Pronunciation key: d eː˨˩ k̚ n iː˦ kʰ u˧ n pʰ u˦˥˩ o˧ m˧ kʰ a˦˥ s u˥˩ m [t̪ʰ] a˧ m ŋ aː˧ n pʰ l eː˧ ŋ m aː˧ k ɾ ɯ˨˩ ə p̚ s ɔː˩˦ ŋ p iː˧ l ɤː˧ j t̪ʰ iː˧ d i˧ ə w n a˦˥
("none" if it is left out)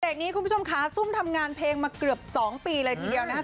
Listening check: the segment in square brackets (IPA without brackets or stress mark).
t̪ʰ